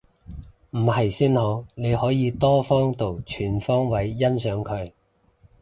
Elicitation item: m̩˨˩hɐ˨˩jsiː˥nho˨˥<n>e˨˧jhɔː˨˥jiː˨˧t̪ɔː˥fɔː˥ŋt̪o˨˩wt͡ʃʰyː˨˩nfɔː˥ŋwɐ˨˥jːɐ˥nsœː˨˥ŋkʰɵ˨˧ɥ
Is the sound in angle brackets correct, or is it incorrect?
correct